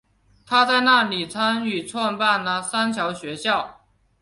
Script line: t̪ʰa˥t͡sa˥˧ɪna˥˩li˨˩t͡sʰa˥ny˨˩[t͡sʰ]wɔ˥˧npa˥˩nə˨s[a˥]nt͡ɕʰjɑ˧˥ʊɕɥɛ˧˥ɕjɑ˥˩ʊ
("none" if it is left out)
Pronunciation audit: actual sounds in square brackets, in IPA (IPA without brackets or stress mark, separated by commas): t͡sʰ, a˥